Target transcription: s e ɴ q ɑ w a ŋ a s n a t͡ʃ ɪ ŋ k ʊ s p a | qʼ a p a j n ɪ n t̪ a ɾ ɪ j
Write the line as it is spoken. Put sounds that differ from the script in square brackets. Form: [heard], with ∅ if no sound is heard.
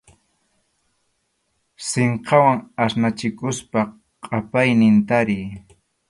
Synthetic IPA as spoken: s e ɴ q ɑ w a ŋ a s n a t͡ʃ ɪ [∅] k ʊ s p a | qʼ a p a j n ɪ n t̪ a ɾ ɪ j